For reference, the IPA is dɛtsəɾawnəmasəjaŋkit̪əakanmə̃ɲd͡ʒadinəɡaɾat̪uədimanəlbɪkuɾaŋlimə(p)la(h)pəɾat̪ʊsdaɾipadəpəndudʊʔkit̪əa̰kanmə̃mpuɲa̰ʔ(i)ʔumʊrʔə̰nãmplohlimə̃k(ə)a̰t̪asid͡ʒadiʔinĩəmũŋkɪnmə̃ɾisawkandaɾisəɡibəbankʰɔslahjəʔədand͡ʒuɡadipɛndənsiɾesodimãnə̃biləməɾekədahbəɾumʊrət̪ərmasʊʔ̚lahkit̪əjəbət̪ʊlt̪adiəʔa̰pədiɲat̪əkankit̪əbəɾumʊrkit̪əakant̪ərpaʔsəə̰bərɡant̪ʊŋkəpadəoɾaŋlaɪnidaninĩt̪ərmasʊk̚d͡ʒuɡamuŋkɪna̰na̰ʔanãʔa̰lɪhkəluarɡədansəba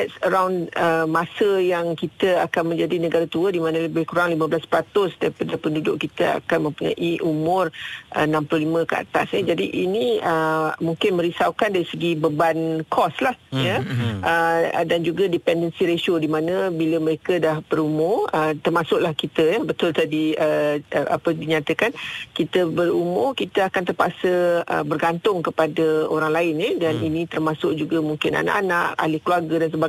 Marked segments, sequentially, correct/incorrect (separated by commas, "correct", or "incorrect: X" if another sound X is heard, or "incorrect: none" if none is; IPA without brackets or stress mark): incorrect: b, incorrect: s, correct, correct